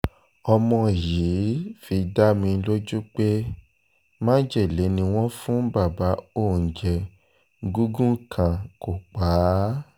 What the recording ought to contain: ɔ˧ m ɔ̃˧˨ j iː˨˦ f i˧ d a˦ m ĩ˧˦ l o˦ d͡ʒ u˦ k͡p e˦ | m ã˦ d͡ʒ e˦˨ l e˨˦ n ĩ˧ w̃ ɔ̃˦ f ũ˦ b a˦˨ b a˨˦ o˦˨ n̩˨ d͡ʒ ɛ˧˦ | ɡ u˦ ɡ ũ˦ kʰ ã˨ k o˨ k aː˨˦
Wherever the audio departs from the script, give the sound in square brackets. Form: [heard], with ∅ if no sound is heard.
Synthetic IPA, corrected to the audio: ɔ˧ m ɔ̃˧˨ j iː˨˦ f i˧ d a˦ m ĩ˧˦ l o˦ d͡ʒ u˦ k͡p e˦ | m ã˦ d͡ʒ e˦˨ l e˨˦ n ĩ˧ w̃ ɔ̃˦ f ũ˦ b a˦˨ b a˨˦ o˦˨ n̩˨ d͡ʒ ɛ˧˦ | ɡ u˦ ɡ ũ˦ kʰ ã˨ k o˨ [k͡p] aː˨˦